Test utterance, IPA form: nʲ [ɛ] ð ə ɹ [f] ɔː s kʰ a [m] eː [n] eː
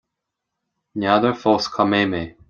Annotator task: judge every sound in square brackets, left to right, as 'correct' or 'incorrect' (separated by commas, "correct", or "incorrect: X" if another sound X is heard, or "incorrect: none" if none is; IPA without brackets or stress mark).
incorrect: a, correct, correct, incorrect: m